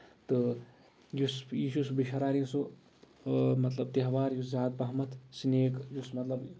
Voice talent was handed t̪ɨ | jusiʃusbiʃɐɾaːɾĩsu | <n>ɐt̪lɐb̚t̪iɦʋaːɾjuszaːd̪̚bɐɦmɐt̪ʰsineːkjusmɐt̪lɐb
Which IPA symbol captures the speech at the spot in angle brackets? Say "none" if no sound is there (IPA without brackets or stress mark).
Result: m